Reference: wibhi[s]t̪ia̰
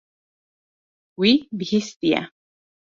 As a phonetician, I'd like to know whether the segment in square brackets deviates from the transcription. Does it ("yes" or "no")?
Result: no